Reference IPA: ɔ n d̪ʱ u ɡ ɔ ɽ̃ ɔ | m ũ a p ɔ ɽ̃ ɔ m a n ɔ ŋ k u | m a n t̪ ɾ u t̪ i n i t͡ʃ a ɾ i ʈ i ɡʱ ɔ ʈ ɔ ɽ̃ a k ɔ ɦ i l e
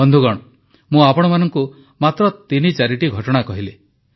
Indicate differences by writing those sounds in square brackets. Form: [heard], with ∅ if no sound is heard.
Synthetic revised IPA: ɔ n d̪ʱ u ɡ ɔ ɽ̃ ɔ | m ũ a p ɔ ɽ̃ ɔ m a n ɔ ŋ k u | m a [∅] t̪ ɾ [ɔ] t̪ i n i t͡ʃ a ɾ i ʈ i ɡʱ ɔ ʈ ɔ ɽ̃ a k ɔ ɦ i l e